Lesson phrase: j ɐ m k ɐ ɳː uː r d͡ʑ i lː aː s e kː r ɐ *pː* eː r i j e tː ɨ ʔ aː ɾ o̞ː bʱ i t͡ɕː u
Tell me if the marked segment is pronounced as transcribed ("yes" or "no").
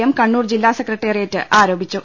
no